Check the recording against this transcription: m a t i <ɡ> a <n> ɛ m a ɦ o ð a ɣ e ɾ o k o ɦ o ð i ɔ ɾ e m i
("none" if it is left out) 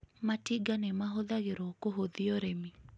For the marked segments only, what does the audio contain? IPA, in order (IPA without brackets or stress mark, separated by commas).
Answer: ɡ, n